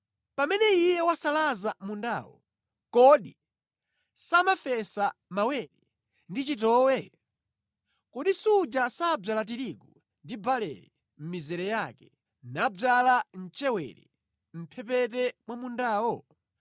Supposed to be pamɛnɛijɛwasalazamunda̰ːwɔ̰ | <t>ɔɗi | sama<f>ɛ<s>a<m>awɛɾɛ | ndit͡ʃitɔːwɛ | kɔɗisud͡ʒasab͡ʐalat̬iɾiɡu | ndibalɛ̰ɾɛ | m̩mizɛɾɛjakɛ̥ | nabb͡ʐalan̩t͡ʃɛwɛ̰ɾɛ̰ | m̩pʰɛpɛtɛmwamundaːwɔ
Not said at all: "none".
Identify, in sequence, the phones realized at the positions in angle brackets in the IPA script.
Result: k, f, s, m

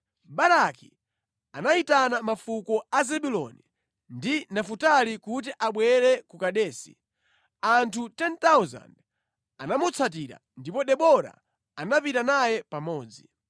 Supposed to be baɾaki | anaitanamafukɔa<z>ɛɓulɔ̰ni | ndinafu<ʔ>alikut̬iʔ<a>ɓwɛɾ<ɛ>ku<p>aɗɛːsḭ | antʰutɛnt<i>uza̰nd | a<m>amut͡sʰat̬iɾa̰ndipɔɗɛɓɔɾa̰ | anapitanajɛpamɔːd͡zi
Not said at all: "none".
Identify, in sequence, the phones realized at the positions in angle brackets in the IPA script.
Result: z, t, a, ɛ, k, a, n

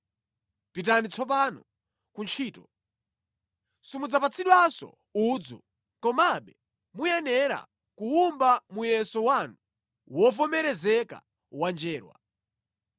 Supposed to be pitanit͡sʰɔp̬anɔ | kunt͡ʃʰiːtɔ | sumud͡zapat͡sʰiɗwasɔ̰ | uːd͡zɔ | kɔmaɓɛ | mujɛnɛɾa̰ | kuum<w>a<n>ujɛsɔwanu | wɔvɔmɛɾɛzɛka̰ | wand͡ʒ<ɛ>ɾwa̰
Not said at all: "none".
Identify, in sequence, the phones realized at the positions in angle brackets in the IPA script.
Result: b, m, ɛː

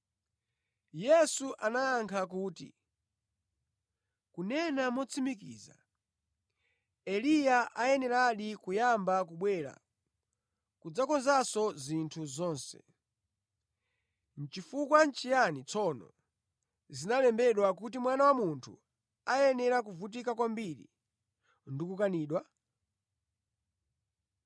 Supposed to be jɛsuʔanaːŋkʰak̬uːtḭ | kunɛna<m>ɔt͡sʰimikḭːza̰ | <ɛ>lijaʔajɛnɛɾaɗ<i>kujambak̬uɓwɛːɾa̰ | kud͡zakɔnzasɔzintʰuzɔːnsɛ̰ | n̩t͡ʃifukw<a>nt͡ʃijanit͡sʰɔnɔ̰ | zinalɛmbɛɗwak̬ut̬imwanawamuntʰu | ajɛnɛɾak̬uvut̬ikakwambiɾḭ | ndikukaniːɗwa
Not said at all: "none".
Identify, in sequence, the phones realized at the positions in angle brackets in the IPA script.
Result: m, ɛ, i, a

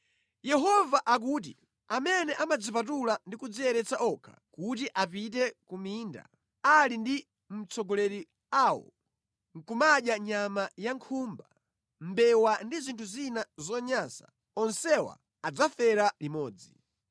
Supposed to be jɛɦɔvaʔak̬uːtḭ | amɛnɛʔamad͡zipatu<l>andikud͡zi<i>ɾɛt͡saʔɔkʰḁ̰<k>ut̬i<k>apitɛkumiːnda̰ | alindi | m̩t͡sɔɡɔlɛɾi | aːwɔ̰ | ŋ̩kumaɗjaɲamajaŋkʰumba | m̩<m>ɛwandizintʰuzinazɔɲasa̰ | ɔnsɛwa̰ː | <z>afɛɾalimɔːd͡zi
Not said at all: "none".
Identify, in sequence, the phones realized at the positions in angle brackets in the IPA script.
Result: l, ɛ, k, ʔ, b, d͡z

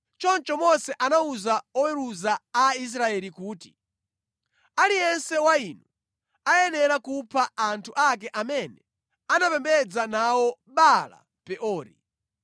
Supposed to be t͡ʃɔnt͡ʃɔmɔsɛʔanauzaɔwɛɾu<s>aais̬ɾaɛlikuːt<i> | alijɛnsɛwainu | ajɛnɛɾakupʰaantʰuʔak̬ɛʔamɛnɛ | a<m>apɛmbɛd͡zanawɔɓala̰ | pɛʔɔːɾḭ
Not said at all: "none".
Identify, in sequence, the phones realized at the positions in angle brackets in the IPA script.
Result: z, i, n

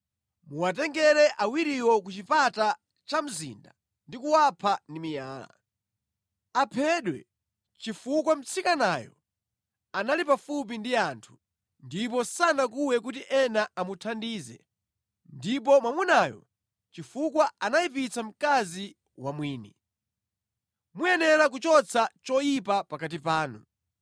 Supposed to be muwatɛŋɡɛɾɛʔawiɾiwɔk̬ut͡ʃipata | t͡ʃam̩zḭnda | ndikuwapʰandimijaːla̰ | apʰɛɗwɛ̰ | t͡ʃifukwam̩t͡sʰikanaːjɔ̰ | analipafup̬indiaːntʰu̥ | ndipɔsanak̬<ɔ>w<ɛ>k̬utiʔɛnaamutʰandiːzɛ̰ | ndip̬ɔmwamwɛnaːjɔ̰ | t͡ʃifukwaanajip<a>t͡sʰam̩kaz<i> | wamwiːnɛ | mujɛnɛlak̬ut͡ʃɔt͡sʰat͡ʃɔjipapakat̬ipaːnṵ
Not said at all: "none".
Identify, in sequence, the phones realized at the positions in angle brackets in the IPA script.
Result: u, ɛ, i, i

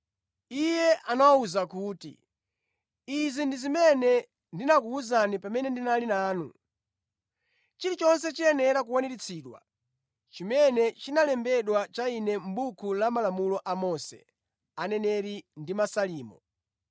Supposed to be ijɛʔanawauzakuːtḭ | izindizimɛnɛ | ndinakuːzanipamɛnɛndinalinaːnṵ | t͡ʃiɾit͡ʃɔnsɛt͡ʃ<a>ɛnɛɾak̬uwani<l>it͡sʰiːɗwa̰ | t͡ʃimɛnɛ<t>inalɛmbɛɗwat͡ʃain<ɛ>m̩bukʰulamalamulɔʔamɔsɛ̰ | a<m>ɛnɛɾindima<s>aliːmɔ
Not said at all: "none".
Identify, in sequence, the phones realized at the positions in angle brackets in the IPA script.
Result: i, ɾ, t͡ʃ, ɛ, n, s

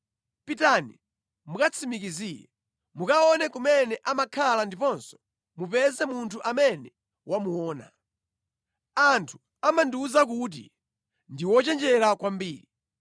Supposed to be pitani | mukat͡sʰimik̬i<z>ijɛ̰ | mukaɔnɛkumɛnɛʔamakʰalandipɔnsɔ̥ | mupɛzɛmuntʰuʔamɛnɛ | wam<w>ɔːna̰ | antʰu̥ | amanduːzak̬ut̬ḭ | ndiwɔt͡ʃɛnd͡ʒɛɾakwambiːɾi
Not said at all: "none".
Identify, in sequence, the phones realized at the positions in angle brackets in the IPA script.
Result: z, u

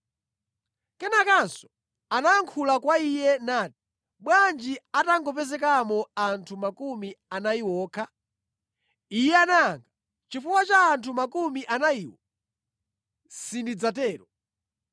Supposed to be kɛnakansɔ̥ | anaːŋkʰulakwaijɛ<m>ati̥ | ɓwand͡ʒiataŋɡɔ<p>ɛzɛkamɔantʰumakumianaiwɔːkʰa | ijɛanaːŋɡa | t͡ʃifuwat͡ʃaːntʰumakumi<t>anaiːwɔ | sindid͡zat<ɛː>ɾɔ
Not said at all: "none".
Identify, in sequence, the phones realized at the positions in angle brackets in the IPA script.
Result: n, p, ʔ, ɛː

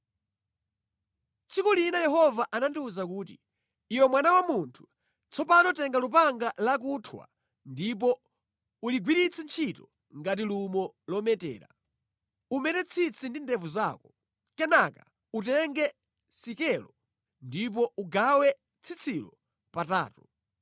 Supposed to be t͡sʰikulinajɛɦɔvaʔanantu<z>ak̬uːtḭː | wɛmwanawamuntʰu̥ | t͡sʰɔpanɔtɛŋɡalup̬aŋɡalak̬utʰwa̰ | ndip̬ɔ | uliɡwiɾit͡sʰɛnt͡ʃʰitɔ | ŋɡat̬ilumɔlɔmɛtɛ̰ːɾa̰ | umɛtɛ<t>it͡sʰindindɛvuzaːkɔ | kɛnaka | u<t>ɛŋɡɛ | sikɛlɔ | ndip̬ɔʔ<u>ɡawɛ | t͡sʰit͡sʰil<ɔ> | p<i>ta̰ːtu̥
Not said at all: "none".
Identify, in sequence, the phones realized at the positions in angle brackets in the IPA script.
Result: z, t͡sʰ, t, u, ɔ, a

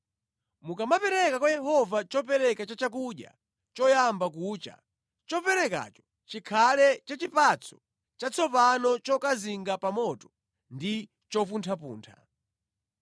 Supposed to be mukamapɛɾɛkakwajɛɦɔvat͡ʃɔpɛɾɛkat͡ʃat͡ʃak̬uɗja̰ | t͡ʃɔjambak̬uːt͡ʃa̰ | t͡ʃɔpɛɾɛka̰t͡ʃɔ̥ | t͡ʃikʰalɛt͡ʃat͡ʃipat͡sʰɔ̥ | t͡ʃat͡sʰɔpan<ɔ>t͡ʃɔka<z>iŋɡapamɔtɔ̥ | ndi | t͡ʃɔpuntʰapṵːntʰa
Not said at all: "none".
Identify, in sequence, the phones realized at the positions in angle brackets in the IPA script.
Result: ɔ, z

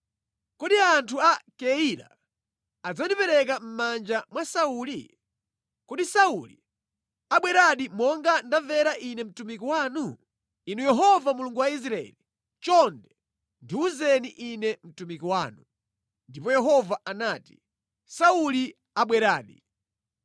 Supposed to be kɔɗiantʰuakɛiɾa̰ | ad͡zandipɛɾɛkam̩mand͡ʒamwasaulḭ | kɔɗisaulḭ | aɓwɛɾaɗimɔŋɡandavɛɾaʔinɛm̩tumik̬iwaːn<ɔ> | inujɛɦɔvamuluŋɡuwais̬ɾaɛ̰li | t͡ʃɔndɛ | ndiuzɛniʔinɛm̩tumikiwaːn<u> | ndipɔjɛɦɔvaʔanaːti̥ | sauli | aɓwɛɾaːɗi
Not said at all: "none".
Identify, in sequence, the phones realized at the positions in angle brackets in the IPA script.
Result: u, u

